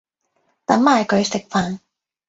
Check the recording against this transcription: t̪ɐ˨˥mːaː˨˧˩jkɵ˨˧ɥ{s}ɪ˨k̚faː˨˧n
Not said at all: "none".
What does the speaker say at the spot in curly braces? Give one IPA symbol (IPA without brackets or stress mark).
s